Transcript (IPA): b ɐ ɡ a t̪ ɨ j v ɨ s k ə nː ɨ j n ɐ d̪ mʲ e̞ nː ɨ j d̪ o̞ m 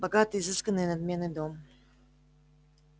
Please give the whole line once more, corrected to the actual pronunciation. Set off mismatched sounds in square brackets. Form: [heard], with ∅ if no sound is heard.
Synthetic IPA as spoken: b ɐ ɡ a t̪ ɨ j [z] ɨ s k ə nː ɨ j n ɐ d̪ mʲ e̞ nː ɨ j d̪ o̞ m